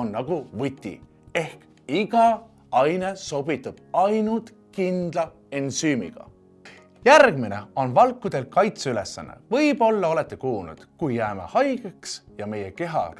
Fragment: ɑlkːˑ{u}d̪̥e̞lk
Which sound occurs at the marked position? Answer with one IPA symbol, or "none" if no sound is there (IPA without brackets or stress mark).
u